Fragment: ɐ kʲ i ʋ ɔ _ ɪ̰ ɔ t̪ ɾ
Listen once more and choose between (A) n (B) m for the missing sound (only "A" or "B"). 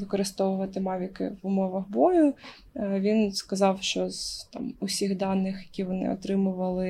A